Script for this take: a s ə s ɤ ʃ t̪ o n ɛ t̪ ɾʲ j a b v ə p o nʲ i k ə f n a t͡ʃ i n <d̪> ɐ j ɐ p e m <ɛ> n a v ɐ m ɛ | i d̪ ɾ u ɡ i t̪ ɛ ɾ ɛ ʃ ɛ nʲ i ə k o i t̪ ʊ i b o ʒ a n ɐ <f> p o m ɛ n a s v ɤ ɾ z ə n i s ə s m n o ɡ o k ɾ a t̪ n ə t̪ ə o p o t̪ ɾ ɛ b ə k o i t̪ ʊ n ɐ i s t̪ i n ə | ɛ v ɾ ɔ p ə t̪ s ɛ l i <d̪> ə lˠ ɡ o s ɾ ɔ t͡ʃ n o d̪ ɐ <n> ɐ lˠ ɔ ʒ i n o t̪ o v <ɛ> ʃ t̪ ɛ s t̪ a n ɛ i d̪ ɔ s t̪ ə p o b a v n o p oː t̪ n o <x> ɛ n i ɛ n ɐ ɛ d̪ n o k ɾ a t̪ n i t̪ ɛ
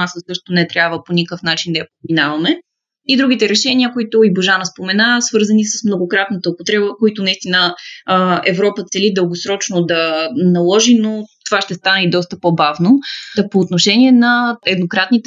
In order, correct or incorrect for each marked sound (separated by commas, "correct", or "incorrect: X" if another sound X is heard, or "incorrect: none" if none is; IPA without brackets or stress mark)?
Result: correct, incorrect: i, incorrect: s, correct, correct, incorrect: a, incorrect: ʃ